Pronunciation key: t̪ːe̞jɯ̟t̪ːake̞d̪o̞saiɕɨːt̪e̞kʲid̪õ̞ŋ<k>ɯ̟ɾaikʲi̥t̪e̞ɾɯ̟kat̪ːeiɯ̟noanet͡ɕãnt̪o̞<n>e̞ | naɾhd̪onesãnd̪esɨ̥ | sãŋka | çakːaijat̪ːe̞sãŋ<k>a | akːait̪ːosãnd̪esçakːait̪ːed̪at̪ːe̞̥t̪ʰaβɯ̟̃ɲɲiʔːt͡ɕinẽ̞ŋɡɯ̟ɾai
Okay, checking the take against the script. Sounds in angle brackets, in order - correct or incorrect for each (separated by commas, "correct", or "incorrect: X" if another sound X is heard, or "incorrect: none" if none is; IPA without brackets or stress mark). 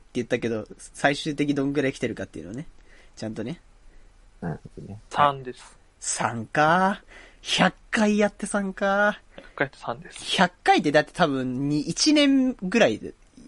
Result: incorrect: ɡ, correct, correct